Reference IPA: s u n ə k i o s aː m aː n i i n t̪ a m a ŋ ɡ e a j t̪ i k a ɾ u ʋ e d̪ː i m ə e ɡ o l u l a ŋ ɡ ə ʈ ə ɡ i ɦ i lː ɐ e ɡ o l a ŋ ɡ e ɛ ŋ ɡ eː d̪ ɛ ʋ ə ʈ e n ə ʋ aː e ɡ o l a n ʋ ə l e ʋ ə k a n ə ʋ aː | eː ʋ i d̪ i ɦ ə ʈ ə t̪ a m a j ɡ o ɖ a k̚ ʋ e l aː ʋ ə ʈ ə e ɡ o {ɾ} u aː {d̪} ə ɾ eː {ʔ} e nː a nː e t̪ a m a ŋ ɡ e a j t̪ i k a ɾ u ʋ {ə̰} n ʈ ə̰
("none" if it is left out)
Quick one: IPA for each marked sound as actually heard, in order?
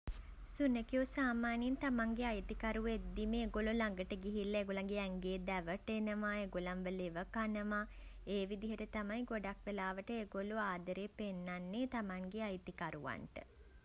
l, d̪, p, a̰

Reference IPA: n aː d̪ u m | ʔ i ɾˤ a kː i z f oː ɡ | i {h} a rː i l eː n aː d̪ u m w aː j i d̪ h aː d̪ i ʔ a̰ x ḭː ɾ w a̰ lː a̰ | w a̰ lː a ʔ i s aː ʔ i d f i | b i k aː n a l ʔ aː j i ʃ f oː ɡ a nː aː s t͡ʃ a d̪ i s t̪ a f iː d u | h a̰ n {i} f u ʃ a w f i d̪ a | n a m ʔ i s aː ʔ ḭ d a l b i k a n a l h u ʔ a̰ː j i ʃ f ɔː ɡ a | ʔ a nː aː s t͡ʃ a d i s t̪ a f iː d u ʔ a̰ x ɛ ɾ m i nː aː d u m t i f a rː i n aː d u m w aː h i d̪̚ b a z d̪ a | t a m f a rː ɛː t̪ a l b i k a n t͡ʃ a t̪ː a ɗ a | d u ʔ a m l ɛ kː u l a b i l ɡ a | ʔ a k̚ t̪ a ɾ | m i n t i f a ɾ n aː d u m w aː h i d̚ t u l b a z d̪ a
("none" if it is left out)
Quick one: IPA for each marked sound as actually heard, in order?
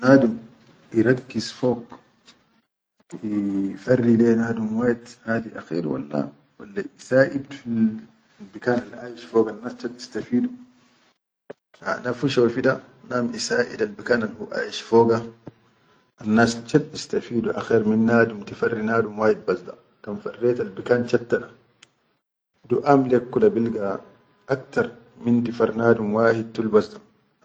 f, a

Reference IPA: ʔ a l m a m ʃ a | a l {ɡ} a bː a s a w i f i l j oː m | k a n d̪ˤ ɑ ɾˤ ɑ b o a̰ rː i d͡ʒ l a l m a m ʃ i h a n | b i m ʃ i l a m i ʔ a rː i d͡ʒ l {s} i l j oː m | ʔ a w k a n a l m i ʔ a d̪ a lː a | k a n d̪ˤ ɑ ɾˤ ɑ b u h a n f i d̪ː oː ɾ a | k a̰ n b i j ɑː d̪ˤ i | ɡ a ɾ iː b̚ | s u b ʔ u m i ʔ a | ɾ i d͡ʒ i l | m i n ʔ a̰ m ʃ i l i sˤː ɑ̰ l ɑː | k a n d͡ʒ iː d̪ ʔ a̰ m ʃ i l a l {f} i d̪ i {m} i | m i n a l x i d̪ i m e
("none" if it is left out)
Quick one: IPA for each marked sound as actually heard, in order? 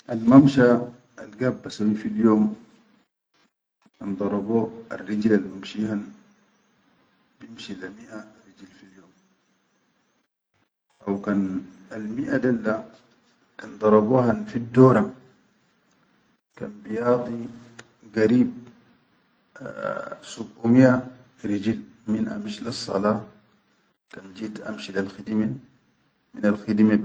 ɡ, f, x, m

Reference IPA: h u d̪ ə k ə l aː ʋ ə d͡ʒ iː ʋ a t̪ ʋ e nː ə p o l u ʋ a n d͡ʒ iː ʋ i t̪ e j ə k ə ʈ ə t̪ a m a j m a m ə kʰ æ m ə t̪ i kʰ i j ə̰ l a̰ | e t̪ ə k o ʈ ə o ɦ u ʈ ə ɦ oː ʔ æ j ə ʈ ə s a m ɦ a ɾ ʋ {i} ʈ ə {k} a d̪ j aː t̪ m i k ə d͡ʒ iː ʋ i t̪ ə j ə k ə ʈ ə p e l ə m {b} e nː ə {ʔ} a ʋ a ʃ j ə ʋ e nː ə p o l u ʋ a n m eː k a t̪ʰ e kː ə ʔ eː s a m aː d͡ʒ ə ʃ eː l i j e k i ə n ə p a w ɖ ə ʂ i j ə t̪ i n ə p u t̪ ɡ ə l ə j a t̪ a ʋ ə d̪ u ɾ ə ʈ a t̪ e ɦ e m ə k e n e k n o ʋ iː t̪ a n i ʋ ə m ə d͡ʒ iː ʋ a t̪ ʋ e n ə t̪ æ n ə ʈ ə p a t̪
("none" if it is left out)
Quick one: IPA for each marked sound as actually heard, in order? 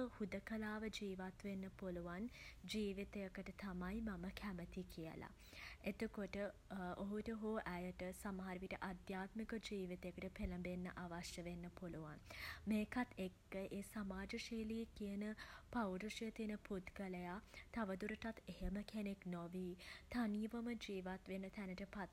i, ʔ, b, ʔ

